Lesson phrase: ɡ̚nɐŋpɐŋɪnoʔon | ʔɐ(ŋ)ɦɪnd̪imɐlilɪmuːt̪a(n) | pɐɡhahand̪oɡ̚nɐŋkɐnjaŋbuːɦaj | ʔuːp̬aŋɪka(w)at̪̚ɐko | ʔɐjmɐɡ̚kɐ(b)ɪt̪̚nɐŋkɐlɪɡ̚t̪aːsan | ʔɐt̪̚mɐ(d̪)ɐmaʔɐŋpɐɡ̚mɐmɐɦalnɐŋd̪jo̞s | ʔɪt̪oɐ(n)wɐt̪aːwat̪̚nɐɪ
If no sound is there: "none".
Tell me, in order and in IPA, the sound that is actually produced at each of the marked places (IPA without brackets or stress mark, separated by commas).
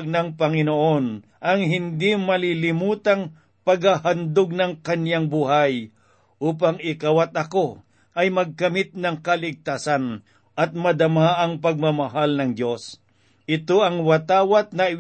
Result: ŋ, ŋ, w, m, d̪, ŋ